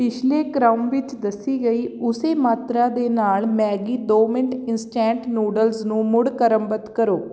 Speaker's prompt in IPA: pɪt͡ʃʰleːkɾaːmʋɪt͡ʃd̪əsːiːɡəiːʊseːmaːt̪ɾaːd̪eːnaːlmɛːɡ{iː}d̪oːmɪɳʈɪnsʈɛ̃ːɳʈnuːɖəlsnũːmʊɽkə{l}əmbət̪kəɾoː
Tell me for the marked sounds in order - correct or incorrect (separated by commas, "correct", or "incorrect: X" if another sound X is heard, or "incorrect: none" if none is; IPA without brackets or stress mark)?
correct, incorrect: ɾ